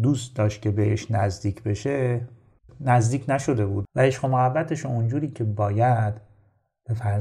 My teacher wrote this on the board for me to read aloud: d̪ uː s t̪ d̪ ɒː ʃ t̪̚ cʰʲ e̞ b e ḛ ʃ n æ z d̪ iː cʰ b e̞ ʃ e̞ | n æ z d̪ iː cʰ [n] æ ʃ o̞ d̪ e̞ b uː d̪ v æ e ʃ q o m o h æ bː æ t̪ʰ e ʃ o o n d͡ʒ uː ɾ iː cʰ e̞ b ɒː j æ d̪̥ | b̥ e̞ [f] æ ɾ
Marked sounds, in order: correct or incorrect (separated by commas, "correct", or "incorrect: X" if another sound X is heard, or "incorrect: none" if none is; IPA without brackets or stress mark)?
correct, correct